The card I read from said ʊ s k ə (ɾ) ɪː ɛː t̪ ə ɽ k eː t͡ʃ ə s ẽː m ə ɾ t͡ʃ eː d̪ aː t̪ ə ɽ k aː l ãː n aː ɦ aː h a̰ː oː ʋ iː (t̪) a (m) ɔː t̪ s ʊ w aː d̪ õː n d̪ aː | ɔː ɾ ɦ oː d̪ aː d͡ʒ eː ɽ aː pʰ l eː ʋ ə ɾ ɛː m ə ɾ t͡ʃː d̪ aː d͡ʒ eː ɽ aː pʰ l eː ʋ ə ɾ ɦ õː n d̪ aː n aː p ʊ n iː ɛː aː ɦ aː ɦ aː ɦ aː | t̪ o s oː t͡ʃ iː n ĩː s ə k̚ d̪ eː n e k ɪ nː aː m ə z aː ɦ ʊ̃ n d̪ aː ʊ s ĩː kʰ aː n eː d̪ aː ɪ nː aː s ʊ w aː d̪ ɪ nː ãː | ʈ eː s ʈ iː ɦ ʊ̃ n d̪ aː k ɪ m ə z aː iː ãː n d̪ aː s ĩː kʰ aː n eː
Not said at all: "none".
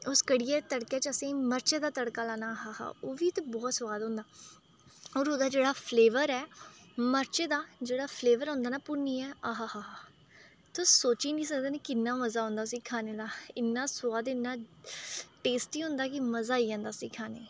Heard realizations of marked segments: ɽ, t̪, b

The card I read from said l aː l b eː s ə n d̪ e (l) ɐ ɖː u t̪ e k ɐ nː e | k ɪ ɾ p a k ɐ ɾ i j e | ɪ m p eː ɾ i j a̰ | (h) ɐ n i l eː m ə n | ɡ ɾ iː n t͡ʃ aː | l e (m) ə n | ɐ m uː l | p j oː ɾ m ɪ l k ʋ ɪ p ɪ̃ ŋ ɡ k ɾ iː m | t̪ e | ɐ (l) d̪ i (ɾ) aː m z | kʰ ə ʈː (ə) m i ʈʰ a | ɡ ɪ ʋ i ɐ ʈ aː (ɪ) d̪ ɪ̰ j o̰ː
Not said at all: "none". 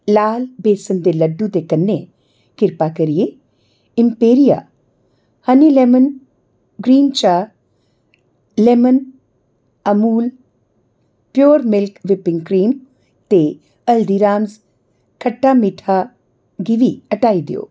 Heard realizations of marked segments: l, h, m, l, ɾ, a, i

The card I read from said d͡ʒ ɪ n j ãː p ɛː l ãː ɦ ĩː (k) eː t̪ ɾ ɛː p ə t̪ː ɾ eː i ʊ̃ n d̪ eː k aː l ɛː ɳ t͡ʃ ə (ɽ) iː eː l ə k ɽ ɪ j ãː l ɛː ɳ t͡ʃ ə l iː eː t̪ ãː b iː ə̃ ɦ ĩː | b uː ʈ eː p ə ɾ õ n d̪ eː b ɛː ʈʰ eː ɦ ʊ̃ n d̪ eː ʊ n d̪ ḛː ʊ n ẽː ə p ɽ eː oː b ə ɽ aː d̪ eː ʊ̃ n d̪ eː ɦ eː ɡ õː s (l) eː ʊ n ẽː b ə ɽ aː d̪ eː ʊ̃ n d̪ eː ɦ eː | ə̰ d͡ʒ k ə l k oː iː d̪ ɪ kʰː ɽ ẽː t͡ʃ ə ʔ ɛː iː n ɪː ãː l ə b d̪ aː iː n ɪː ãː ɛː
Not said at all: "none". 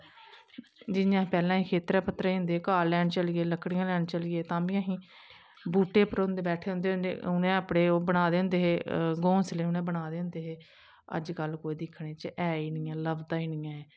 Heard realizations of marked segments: kʰ, l, l

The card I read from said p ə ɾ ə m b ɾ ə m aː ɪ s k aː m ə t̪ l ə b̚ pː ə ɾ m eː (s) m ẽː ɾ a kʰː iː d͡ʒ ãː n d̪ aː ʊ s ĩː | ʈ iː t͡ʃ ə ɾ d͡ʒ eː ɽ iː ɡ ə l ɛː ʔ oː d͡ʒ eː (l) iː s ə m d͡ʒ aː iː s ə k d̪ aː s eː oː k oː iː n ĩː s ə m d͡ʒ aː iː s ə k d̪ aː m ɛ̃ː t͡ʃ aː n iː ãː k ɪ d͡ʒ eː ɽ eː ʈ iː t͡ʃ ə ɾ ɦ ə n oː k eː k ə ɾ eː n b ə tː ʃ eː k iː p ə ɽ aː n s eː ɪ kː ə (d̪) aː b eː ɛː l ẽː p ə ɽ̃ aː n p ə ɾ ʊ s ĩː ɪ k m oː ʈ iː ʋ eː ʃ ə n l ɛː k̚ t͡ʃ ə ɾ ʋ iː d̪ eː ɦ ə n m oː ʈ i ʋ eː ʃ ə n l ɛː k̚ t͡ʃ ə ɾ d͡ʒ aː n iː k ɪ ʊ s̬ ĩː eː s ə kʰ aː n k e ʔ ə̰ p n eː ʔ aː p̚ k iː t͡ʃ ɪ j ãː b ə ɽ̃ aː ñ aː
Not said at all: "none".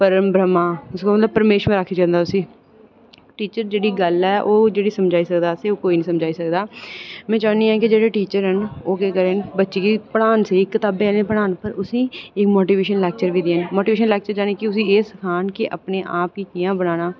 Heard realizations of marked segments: ʃ, ɽ, t̪

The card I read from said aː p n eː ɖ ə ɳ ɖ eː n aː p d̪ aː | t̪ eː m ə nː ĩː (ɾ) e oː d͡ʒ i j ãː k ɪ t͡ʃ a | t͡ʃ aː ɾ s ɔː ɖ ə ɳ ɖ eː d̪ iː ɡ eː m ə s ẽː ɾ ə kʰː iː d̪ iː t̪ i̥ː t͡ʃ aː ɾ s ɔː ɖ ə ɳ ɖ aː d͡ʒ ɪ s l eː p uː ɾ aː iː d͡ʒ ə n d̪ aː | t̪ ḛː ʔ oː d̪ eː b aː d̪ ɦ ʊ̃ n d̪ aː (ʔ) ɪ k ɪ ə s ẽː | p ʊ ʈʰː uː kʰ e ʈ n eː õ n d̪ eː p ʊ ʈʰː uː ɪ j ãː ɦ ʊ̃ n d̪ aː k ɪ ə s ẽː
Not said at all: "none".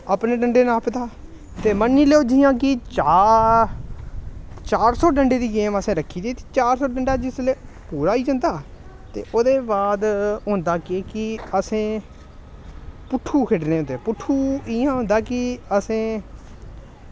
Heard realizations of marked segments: l, k

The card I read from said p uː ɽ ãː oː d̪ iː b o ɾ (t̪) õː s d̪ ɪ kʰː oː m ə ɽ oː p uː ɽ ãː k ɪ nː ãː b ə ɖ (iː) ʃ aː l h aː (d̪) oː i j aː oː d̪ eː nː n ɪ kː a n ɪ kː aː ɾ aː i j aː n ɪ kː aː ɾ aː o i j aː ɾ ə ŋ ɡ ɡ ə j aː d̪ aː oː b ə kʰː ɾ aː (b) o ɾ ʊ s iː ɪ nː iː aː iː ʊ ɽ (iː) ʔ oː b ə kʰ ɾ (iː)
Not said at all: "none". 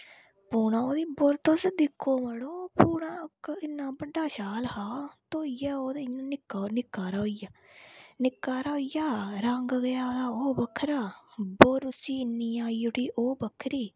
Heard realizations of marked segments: t̪, aː, t̪, b, iː, iː

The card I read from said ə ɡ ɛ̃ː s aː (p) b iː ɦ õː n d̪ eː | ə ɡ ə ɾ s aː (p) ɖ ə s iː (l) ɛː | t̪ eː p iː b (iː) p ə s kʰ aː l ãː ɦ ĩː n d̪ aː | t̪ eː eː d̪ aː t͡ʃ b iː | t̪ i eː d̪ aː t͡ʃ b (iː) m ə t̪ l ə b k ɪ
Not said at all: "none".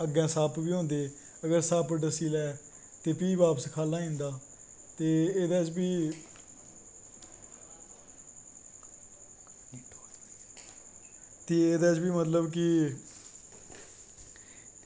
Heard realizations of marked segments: p, p, l, aː, iː

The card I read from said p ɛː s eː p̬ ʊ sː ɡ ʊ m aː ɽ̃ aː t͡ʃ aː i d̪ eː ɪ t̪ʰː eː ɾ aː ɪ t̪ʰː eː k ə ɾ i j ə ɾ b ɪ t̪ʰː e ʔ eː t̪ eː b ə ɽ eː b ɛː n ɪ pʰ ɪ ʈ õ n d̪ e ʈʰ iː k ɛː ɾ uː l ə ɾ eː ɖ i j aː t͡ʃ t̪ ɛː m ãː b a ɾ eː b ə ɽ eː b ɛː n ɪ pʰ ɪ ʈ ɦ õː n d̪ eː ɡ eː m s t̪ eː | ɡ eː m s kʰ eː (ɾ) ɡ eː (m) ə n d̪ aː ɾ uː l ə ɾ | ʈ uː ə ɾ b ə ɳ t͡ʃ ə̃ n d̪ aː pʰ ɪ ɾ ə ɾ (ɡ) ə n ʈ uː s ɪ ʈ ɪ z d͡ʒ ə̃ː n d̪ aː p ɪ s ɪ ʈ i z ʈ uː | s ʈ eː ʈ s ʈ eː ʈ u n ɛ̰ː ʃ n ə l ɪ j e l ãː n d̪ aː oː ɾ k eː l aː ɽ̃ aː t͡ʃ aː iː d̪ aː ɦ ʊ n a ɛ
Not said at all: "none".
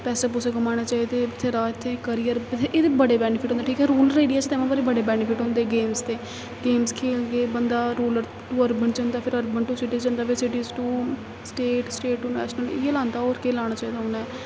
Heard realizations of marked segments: l, b, b

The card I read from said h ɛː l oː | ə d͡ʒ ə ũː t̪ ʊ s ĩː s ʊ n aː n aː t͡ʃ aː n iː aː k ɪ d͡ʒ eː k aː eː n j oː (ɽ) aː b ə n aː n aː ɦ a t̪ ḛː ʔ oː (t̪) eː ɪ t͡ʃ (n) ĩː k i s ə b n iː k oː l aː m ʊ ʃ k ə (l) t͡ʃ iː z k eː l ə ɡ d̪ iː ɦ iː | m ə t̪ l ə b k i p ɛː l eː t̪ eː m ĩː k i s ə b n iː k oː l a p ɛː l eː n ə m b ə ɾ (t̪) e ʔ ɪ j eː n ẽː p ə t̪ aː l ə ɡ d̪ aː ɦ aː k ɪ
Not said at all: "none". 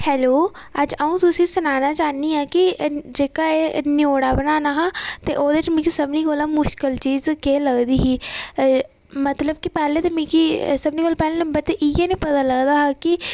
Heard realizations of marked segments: ɽ, d̪, m, l, t̪

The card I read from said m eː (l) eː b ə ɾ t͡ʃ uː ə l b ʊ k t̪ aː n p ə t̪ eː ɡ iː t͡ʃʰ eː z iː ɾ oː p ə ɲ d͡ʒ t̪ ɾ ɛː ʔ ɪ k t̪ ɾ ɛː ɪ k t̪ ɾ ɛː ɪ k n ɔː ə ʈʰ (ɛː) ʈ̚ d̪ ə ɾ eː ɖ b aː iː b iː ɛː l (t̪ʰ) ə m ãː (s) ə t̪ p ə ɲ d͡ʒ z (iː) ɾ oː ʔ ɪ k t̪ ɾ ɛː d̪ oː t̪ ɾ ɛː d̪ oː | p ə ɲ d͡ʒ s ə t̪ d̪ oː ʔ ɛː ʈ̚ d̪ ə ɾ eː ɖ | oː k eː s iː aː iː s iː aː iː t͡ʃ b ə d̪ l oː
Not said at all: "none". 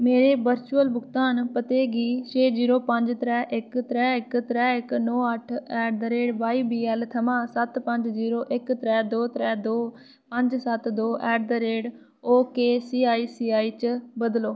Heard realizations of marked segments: ɾ, ɛː, t̪ʰ, s, iː

